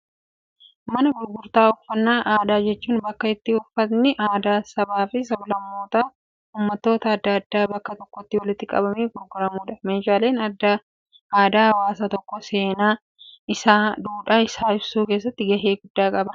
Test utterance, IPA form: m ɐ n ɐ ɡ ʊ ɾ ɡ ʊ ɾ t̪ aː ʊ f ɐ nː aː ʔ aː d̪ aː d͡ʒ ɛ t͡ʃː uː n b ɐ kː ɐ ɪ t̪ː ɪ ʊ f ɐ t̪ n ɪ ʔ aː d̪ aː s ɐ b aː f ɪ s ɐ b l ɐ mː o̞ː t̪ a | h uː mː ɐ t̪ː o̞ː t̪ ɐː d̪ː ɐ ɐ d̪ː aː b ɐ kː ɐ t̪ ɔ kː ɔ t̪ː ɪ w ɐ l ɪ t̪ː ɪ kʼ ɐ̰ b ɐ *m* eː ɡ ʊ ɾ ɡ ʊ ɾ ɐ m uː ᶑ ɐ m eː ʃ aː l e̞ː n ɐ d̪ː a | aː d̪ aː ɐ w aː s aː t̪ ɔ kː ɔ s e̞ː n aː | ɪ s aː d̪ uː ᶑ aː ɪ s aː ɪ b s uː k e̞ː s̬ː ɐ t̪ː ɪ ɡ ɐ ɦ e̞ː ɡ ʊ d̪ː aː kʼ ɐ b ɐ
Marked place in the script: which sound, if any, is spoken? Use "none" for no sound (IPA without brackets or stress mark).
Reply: m